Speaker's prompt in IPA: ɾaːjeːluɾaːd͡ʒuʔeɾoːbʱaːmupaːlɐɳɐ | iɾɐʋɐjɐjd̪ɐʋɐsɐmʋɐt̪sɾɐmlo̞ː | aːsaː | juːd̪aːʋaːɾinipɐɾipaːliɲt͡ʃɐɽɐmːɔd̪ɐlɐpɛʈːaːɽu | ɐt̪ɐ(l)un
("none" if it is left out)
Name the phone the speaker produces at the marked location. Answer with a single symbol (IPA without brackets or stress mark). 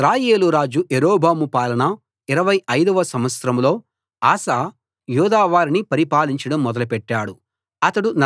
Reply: ɽ